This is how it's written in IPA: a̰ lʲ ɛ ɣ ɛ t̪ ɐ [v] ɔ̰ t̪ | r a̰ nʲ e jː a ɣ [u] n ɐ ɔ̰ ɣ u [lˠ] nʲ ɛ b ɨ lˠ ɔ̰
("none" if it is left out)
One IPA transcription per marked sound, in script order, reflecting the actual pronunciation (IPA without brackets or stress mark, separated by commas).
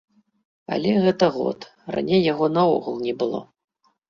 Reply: ɣ, ɔ, lˠ